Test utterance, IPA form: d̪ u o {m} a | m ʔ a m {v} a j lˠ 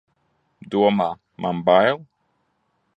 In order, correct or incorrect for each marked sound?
correct, incorrect

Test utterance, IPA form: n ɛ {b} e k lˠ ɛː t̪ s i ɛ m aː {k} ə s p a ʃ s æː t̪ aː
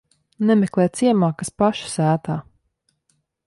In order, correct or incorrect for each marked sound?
incorrect, correct

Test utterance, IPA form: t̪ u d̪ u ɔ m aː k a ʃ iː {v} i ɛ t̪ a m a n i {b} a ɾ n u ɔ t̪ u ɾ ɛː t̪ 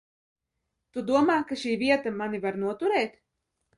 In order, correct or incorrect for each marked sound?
correct, incorrect

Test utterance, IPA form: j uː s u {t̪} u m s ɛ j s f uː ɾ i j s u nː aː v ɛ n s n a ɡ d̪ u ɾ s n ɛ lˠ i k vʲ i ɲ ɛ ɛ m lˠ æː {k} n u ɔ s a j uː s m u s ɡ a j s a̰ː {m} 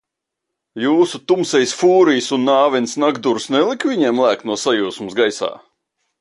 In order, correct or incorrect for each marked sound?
correct, correct, incorrect

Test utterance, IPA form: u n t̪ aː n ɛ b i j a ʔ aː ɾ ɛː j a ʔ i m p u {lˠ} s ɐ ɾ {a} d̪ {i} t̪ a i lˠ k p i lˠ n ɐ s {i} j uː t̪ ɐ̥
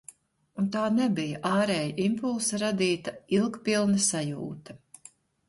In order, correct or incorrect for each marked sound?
correct, correct, incorrect, incorrect

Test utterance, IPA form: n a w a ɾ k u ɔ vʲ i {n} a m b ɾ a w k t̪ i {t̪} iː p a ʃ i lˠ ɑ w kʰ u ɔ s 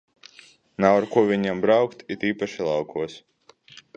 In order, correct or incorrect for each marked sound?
incorrect, correct

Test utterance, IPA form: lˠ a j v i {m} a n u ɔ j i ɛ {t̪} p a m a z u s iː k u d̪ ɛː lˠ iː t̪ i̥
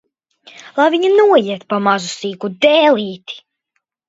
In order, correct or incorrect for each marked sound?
incorrect, correct

